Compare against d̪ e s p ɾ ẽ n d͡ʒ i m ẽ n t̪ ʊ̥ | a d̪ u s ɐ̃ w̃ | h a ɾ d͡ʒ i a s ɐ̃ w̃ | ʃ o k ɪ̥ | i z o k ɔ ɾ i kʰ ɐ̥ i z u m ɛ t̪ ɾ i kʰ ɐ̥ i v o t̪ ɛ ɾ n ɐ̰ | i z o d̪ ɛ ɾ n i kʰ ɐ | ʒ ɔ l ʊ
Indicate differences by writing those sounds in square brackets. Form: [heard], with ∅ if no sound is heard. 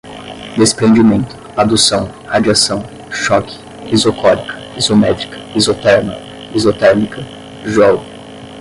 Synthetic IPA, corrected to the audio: d̪ e s p ɾ ẽ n d͡ʒ i m ẽ n t̪ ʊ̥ | a d̪ u s ɐ̃ w̃ | h a [∅] d͡ʒ i a s ɐ̃ w̃ | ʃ [ɔ] k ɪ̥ | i z o k ɔ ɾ i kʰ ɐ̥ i z [o] m ɛ t̪ ɾ i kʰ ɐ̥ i [z] o t̪ ɛ ɾ n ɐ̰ | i z o [t̪] ɛ ɾ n i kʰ ɐ | ʒ ɔ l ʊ